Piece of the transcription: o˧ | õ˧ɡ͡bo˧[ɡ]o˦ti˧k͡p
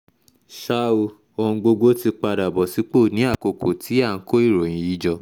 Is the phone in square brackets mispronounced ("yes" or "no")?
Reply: no